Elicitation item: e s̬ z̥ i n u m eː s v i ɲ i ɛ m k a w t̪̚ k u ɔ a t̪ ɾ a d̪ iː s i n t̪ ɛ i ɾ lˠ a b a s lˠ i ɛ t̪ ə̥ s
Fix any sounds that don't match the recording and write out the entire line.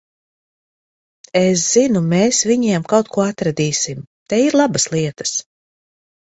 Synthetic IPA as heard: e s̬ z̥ i n u m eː s v i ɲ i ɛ m k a w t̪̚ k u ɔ a t̪ ɾ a d̪ iː s i m t̪ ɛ i ɾ lˠ a b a s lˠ i ɛ t̪ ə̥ s